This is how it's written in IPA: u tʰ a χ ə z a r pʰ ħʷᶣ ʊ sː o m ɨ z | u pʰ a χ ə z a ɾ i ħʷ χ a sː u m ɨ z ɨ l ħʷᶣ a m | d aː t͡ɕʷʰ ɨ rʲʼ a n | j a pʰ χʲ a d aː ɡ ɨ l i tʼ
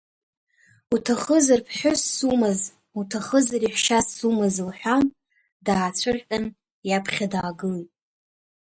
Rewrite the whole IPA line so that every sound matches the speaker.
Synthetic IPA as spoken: u tʰ a χ ə z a r pʰ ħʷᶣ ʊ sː u m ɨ z | u tʰ a χ ə z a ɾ i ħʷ ʃ a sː u m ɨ z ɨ l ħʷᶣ a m | d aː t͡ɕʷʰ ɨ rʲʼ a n | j a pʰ χʲ a d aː ɡ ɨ l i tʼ